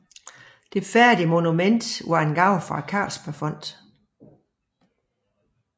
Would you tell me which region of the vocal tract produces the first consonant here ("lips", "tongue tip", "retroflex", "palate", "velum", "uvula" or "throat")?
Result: tongue tip